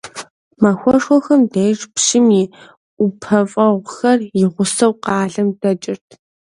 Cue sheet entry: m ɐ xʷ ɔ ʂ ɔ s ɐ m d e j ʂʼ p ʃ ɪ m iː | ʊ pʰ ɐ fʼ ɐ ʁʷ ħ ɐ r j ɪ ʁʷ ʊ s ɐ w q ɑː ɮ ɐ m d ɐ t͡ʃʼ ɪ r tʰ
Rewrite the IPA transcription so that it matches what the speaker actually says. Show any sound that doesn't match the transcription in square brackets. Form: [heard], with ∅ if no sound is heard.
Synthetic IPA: m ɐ xʷ ɔ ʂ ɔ [x] ɐ m d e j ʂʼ p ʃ ɪ m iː | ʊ pʰ ɐ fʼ ɐ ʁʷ [x] ɐ r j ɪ ʁʷ ʊ s ɐ w q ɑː ɮ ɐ m d ɐ t͡ʃʼ ɪ r tʰ